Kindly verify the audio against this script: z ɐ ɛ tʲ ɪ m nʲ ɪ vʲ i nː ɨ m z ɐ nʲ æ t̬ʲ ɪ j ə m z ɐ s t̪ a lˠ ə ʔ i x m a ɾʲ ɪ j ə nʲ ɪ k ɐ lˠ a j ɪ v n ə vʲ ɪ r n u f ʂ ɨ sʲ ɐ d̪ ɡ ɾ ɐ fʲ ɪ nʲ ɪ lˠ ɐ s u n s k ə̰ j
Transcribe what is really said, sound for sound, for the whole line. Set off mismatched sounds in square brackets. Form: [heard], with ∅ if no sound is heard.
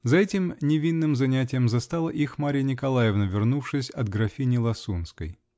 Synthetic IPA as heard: z ɐ ɛ tʲ ɪ m nʲ ɪ vʲ i nː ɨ m z ɐ nʲ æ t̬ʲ ɪ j ə m z ɐ s t̪ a lˠ ə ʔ i x m a ɾʲ ɪ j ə nʲ ɪ k ɐ lˠ a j ɪ v n ə vʲ ɪ r n u f ʂ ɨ sʲ ɐ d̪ ɡ ɾ ɐ fʲ [i] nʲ ɪ lˠ ɐ s u n s k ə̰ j